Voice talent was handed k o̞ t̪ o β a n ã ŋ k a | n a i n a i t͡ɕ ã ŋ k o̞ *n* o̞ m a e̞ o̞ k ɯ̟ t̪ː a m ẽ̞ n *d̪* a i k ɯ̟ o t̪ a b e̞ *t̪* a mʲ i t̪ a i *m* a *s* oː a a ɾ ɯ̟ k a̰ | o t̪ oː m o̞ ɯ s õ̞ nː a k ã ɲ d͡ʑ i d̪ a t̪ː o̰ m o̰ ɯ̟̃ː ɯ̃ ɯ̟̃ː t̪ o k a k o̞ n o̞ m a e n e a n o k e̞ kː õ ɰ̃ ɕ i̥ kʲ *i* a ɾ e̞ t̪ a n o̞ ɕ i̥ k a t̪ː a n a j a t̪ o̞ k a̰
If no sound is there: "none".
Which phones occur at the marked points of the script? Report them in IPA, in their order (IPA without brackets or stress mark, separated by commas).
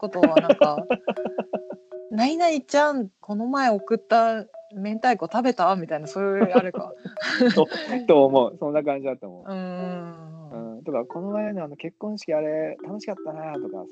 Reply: n, t̪, t̪, n, s, i